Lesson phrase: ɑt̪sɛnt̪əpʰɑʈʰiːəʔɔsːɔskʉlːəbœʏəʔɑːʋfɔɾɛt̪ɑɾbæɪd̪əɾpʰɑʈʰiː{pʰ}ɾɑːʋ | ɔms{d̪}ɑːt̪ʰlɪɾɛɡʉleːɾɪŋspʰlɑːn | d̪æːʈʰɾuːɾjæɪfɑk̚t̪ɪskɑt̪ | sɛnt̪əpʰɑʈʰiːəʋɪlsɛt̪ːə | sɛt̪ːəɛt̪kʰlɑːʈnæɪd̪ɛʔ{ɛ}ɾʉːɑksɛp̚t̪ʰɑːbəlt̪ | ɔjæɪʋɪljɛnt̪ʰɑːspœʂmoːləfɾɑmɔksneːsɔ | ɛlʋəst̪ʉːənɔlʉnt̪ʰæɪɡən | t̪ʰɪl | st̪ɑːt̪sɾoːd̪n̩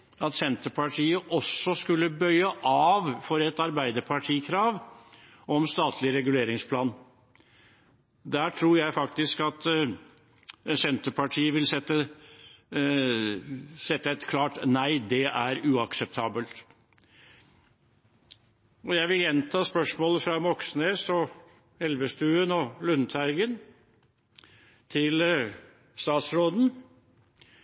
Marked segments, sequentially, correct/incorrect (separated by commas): incorrect, incorrect, incorrect